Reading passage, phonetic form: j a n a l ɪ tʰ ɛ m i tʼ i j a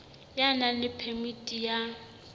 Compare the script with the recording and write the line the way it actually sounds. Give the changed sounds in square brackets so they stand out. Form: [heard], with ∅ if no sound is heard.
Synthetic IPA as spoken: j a n a l ɪ [pʰ] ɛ m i tʼ i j a

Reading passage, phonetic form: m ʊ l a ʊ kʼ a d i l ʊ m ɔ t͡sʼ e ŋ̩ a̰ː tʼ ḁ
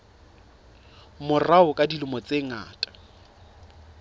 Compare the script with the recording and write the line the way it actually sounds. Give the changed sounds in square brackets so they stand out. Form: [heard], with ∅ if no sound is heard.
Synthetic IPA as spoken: m ʊ [r] a ʊ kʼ a d i l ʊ m ɔ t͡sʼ e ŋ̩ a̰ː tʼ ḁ

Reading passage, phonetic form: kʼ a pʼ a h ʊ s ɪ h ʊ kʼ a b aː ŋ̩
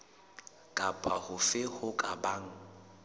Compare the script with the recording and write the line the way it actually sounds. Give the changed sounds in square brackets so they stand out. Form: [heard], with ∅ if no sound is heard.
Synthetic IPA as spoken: kʼ a pʼ a h ʊ [f] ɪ h ʊ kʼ a b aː ŋ̩

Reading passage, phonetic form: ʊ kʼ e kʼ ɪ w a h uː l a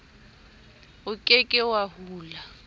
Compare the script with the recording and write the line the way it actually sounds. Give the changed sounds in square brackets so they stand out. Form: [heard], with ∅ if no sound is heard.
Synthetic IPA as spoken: ʊ kʼ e kʼ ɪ w a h uː l a

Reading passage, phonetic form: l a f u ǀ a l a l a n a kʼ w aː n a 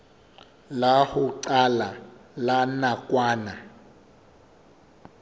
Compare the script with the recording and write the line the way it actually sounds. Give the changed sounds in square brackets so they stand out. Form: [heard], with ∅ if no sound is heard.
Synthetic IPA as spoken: l a [h] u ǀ a l a l a n a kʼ w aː n a

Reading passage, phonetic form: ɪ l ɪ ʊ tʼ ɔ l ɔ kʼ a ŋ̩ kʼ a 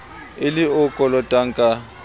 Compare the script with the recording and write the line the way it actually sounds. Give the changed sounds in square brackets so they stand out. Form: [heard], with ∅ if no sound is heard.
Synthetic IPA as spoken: ɪ l ɪ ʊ [kʼ] ɔ l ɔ [tʼ] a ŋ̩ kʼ a

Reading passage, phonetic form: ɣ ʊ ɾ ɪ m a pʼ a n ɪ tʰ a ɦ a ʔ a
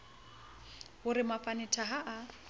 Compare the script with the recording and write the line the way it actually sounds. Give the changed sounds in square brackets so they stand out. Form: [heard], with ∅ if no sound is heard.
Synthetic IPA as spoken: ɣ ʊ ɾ ɪ m a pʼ a n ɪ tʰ a ɦ a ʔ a

